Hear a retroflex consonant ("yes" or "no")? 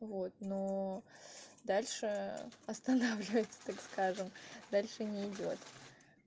yes